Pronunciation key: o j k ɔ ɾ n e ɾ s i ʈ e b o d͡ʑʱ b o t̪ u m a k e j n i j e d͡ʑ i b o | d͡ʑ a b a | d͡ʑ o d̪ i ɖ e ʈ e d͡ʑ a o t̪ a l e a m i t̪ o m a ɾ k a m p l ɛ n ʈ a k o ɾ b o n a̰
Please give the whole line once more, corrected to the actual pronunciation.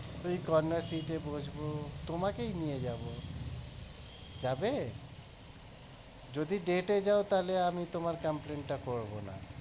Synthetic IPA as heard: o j k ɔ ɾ n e ɾ s i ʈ e b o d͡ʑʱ b o t̪ o m a k e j n i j e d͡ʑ a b o | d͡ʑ a b e | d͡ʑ o d̪ i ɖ e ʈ e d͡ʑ a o t̪ a l e a m i t̪ o m a ɾ k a m p l e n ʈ a k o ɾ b o n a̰